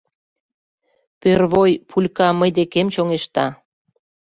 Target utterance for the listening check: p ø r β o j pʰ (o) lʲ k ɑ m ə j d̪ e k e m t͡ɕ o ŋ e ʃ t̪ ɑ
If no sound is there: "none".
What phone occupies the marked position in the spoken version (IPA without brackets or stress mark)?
u